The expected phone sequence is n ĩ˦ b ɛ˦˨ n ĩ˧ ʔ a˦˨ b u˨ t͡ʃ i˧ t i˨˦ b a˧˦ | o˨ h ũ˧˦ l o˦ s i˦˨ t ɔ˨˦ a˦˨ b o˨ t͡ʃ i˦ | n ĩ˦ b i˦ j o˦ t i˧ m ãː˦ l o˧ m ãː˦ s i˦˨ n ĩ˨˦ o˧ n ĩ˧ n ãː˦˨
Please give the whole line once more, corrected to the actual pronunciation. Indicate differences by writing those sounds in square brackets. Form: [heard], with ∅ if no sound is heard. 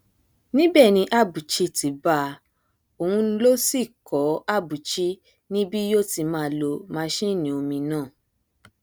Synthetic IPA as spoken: n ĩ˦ b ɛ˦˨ n ĩ˧ ʔ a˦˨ b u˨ t͡ʃ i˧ t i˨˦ b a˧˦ | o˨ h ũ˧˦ l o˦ s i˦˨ [k] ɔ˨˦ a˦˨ b [u˨] t͡ʃ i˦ | n ĩ˦ b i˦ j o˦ t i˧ m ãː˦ l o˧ m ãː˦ [ʃ] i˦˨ n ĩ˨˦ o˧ [m] ĩ˧ n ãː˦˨